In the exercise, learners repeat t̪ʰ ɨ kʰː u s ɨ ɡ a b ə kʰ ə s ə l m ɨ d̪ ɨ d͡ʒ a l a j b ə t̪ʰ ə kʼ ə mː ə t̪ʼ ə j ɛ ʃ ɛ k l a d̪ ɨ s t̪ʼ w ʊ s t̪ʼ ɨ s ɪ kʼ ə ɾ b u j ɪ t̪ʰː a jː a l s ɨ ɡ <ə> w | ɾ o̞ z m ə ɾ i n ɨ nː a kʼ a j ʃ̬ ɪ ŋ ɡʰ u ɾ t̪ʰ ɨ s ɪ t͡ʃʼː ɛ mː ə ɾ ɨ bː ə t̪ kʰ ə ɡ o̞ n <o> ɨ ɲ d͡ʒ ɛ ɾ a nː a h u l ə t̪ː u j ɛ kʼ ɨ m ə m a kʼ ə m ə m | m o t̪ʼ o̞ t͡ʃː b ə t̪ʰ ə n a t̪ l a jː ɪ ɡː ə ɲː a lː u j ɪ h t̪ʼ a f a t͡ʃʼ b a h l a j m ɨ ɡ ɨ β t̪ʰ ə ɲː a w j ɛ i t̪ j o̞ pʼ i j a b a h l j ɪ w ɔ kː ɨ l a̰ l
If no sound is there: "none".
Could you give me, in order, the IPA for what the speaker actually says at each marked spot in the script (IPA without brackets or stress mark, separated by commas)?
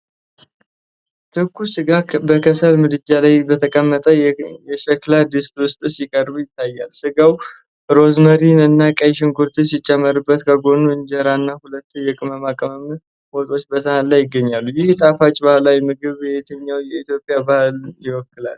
a, u